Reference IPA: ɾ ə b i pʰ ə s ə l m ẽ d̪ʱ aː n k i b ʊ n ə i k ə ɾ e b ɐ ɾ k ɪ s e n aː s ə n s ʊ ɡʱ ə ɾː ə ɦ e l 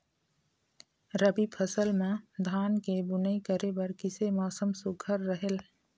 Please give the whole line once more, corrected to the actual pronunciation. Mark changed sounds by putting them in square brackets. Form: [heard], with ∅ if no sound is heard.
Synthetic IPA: ɾ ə b i pʰ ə s ə l m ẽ d̪ʱ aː n k [e] b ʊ n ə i k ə ɾ e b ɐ ɾ k ɪ s e [m] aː s ə [m] s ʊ ɡʱ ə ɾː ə ɦ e l